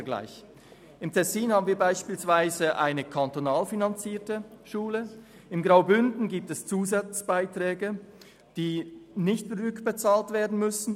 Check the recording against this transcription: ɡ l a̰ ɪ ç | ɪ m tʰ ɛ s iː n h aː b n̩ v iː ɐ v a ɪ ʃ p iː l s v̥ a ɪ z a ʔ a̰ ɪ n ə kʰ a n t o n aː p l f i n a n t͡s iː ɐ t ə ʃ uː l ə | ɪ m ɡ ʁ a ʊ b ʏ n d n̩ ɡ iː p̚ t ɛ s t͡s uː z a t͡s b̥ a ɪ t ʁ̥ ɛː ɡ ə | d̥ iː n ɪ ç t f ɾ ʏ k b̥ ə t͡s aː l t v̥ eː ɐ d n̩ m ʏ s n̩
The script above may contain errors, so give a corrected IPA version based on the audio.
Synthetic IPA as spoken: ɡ l a̰ ɪ ç | ɪ m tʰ ɛ s iː n h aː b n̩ v iː ɐ b a ɪ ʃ p iː l s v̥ a ɪ z ə ʔ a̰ ɪ n ə kʰ a n t o n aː l f i n a n t͡s iː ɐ t ə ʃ uː l ə | ɪ m ɡ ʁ a ʊ b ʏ n d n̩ ɡ iː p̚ t ɛ s t͡s uː z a t͡s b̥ a ɪ t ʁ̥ ɛː ɡ ə | d̥ iː n ɪ ç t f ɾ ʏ k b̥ ə t͡s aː l t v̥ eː ɐ d n̩ m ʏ s n̩